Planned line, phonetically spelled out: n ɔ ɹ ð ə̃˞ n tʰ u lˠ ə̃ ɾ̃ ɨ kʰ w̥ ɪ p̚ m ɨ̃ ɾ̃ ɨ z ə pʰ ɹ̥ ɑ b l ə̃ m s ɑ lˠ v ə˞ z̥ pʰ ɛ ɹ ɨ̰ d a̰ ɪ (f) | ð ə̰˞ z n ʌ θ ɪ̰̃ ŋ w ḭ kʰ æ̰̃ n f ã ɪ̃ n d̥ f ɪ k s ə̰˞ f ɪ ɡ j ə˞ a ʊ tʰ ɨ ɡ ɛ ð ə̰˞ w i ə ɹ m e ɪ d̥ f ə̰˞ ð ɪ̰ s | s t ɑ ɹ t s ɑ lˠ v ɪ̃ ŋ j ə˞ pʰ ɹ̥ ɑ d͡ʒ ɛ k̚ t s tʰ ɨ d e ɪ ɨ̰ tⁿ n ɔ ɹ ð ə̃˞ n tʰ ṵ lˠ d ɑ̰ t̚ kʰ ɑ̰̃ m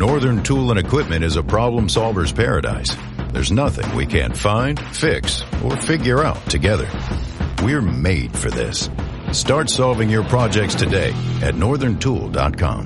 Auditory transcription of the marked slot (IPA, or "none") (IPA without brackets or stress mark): s